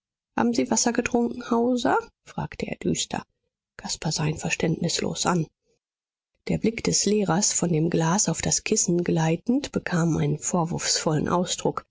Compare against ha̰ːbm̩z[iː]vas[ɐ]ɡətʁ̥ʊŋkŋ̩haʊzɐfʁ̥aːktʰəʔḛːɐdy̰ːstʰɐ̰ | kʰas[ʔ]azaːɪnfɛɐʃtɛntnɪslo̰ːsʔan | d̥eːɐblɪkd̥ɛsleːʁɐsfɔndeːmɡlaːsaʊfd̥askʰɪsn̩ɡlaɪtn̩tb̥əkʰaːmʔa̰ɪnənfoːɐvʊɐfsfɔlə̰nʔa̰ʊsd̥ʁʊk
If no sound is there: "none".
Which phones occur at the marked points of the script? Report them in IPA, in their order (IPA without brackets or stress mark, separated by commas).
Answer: iː, ɐ, p